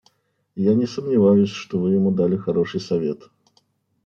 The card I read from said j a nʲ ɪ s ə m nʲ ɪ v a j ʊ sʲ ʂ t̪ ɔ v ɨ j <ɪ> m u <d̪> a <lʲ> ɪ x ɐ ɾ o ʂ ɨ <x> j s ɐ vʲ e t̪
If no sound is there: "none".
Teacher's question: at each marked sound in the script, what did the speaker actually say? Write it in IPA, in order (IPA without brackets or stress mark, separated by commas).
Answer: ɪ, d̪, lʲ, none